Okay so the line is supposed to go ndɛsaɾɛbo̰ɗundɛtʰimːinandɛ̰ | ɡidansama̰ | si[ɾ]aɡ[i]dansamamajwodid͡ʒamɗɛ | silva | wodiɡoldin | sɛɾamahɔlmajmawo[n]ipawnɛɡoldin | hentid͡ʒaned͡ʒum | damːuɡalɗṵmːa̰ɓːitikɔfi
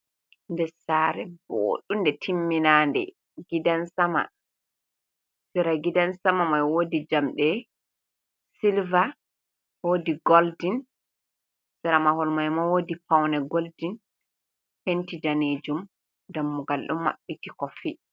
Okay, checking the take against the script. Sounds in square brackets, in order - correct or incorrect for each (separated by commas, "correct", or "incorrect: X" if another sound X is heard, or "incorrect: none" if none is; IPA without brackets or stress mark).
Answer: correct, correct, incorrect: d